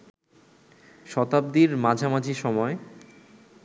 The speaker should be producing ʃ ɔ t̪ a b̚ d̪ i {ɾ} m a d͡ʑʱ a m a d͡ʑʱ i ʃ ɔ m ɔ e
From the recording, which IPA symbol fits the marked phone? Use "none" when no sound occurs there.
ɾ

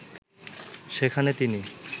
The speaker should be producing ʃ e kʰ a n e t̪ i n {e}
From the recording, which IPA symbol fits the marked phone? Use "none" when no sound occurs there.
i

